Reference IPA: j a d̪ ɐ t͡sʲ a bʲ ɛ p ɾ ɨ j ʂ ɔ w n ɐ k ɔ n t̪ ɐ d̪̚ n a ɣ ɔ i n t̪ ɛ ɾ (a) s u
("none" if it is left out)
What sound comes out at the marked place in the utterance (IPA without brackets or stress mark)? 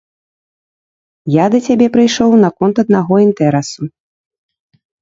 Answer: ɛ